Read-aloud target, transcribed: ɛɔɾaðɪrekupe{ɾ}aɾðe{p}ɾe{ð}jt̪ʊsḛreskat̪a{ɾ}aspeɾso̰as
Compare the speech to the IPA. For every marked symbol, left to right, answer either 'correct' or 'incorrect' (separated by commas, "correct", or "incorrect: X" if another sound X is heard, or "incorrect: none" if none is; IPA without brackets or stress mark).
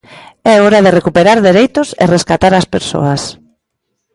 correct, incorrect: none, incorrect: none, correct